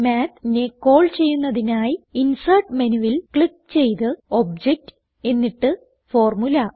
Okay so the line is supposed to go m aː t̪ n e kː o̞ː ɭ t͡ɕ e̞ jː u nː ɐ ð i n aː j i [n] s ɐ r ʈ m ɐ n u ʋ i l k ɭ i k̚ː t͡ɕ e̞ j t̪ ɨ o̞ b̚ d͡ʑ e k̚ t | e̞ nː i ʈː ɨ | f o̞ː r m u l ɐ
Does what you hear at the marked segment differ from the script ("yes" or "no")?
no